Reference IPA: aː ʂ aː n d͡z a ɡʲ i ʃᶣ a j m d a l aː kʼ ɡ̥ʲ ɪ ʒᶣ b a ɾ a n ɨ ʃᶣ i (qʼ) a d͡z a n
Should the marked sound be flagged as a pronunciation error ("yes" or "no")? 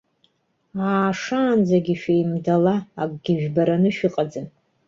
no